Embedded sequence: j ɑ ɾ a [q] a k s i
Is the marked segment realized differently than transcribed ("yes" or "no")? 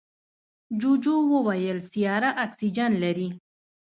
yes